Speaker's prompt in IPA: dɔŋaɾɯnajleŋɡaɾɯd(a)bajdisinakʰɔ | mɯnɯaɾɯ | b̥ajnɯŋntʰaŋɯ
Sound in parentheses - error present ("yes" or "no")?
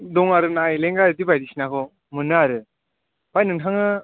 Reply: yes